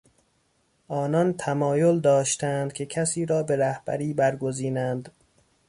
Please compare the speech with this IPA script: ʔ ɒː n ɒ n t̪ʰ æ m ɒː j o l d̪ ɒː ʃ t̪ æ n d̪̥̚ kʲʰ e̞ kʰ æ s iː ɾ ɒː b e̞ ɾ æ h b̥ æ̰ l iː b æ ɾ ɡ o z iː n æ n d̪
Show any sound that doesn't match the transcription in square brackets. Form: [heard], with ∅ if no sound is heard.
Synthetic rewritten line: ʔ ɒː n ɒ n t̪ʰ æ m ɒː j o l d̪ ɒː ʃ t̪ æ n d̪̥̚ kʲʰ e̞ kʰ æ s iː ɾ ɒː b e̞ ɾ æ h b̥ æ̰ [ɾ] iː b æ ɾ ɡ o z iː n æ n d̪